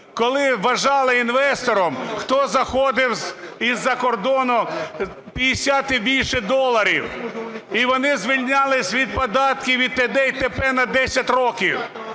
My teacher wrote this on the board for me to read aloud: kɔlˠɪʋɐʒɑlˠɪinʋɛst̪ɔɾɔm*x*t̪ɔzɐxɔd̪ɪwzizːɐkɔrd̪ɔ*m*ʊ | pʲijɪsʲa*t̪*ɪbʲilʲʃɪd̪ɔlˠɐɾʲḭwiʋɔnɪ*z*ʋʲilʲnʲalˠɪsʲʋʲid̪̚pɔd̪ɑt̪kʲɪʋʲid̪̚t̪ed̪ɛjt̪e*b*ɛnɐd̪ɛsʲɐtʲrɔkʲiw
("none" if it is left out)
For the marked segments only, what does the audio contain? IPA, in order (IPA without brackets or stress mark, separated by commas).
x, n, t̪, z, p